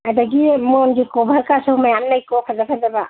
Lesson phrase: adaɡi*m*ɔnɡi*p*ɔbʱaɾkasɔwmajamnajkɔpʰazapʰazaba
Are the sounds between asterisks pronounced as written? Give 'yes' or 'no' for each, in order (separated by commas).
yes, no